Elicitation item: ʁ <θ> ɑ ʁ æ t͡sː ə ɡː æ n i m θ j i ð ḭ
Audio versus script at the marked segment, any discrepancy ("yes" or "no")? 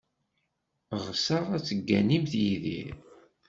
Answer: yes